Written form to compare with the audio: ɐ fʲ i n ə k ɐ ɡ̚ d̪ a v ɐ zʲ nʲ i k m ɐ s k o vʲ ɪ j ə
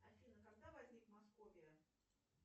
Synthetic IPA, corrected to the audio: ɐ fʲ i n ə k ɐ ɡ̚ d̪ a v ɐ zʲ nʲ i k m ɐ s k o vʲ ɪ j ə